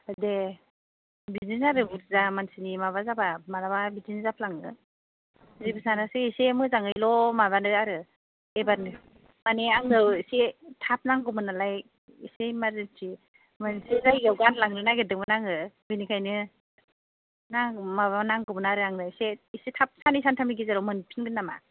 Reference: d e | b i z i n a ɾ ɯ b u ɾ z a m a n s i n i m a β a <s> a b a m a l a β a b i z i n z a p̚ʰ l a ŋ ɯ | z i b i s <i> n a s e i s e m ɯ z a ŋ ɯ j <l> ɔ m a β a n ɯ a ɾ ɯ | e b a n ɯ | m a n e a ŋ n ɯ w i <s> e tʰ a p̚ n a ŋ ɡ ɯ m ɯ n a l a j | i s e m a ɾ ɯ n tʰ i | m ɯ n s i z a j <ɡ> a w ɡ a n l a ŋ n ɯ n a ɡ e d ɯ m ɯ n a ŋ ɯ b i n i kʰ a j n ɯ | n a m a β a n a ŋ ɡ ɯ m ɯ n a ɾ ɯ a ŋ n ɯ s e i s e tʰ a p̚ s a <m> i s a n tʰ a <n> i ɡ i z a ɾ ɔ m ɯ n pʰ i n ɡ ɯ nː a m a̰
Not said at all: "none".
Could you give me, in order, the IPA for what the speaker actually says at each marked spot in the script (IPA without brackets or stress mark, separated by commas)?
z, a, l, s, ɡ, n, m